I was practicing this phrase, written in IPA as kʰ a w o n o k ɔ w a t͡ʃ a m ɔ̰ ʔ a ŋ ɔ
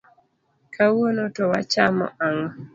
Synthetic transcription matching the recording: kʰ a w o n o t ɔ w a t͡ʃ a m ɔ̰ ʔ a ŋ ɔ